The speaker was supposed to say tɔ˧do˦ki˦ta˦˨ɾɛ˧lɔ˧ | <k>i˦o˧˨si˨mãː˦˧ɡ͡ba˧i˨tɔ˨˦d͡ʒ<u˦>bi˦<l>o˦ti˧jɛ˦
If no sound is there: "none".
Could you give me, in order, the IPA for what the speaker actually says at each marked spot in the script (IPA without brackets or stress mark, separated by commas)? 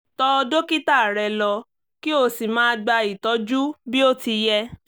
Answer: k, u˦, none